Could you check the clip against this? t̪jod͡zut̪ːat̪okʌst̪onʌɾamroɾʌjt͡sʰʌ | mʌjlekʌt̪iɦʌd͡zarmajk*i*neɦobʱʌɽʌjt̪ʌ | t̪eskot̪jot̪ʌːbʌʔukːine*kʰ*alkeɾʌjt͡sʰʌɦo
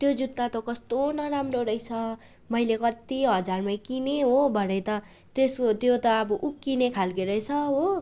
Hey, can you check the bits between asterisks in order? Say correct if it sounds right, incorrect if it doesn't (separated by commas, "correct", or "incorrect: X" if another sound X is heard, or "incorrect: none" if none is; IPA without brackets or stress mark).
correct, correct